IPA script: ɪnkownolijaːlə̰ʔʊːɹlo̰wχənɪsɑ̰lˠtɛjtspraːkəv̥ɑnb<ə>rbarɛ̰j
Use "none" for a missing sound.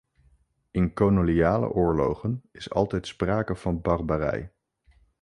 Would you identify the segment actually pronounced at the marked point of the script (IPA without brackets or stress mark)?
ɑ